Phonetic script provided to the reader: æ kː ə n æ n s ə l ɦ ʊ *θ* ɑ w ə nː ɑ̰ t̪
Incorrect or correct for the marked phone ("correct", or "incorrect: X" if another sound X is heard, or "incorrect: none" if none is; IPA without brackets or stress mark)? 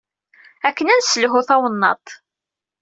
correct